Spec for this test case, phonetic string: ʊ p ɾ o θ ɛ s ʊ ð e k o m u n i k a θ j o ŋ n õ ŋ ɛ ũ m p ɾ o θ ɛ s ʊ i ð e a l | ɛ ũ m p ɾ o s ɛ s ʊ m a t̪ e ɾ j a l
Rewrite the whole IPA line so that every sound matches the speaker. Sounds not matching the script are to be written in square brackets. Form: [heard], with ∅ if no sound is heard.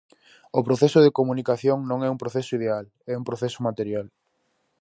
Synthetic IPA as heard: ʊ p ɾ o θ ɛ s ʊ ð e k o m u n i k a θ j o ŋ n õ ŋ ɛ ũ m p ɾ o θ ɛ s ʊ i ð e a l | ɛ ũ m p ɾ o [θ] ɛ s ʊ m a t̪ e ɾ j a l